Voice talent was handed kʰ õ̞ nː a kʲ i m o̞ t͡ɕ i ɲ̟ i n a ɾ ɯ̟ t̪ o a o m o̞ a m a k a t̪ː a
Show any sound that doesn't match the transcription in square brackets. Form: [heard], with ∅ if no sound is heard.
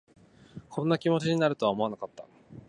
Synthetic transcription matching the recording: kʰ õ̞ nː a kʲ i m o̞ t͡ɕ i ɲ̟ i n a ɾ ɯ̟ t̪ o a o m o̞ a [n] a k a t̪ː a